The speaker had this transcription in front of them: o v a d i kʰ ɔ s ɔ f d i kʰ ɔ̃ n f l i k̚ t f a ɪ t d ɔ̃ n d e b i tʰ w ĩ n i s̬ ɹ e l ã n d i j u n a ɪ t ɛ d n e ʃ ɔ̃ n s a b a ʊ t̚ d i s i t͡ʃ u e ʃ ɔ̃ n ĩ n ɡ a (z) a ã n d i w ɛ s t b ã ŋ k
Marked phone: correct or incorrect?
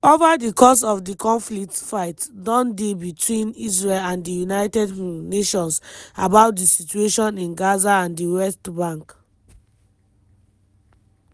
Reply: correct